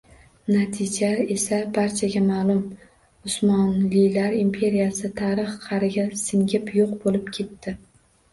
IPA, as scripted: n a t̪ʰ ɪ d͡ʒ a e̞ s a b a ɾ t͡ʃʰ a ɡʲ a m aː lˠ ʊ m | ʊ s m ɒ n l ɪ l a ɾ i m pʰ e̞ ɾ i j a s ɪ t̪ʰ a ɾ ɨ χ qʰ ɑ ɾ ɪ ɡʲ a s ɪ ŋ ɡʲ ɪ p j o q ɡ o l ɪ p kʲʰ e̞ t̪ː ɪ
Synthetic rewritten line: n a t̪ʰ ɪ d͡ʒ a e̞ s a b a ɾ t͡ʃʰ a ɡʲ a m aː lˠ ʊ m | ʊ s m ɒ n l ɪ l a ɾ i m pʰ e̞ ɾ i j a s ɪ t̪ʰ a ɾ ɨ χ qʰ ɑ ɾ ɪ ɡʲ a s ɪ ŋ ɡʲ ɪ p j o q b o l ɪ p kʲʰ e̞ t̪ː ɪ